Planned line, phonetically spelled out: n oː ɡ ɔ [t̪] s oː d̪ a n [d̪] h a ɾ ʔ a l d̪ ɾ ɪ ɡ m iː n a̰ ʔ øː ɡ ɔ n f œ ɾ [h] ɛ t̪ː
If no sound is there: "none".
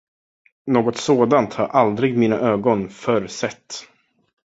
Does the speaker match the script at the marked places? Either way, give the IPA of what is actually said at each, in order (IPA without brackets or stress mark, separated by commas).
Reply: t̪, t̪, s